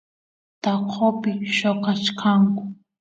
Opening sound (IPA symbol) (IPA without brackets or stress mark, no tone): t̪